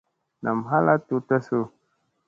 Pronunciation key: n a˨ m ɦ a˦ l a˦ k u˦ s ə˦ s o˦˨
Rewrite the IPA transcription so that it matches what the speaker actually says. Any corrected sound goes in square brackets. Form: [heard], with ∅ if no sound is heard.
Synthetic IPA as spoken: n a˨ m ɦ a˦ l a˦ [t] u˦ [t] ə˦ s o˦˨